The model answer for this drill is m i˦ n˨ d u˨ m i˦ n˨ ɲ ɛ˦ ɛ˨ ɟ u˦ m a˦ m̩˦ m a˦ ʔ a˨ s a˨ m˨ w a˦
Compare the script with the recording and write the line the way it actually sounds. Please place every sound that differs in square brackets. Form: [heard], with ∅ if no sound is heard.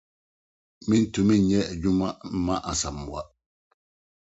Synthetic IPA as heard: m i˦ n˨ [t] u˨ m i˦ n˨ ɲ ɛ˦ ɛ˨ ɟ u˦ m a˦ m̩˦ m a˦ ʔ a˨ s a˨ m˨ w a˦